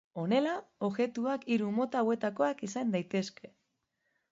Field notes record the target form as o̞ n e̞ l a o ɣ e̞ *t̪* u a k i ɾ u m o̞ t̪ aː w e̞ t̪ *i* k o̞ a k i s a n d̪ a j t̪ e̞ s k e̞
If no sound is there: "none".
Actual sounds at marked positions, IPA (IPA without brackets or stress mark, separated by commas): t̪, a